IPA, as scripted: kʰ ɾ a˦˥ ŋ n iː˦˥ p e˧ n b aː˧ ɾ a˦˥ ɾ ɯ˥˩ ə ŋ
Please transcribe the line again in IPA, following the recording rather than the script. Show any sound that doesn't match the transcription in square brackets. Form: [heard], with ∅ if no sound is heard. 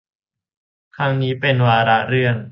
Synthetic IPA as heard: kʰ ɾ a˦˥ ŋ n iː˦˥ p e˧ n [w] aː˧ ɾ a˦˥ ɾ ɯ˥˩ ə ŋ